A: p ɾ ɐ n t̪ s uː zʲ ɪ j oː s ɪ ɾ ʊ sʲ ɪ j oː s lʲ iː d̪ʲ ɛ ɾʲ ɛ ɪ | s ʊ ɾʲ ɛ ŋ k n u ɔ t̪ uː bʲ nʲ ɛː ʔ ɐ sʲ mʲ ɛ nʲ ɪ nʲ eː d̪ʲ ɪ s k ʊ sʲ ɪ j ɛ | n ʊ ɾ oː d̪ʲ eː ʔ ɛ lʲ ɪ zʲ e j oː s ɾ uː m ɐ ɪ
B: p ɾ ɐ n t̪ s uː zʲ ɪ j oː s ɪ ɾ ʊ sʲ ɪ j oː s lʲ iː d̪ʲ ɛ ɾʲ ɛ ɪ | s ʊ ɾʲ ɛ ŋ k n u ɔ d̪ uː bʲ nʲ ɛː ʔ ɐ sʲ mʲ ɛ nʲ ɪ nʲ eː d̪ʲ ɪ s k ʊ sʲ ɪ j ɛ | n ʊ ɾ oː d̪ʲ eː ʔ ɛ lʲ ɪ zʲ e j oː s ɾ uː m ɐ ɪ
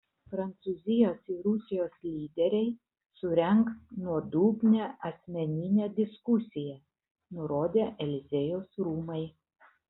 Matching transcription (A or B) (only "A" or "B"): B